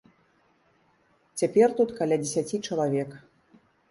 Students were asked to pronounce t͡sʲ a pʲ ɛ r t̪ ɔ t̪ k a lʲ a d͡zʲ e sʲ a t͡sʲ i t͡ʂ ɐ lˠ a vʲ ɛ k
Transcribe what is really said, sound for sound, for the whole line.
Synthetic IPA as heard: t͡sʲ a pʲ ɛ r t̪ u t̪ k a lʲ a d͡zʲ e sʲ a t͡sʲ i t͡ʂ ɐ lˠ a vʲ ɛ k